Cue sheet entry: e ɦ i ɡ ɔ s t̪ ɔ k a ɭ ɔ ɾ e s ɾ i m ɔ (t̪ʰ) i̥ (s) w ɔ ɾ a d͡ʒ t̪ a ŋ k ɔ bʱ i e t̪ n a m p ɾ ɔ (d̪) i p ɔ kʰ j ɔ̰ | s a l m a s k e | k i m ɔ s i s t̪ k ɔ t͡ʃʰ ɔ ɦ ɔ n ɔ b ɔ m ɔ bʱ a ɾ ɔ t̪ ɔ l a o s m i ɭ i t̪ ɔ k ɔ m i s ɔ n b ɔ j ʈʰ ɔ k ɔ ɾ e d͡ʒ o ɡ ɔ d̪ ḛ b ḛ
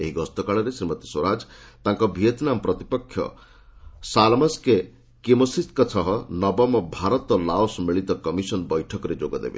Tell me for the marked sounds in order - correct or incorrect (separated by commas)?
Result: incorrect, correct, incorrect